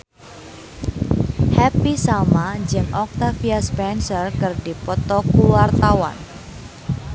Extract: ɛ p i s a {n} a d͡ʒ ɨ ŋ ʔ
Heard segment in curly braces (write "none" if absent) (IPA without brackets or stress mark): m